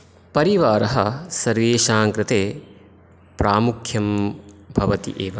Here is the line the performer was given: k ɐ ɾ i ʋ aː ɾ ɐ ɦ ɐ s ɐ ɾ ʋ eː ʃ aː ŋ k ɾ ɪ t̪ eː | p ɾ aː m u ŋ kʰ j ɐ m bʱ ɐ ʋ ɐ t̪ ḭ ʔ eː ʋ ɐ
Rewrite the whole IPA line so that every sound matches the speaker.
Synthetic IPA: p ɐ ɾ i ʋ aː ɾ ɐ ɦ ɐ s ɐ ɾ ʋ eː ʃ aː ŋ k ɾ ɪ t̪ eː | p ɾ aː m u kʰ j ɐ m bʱ ɐ ʋ ɐ t̪ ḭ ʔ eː ʋ ɐ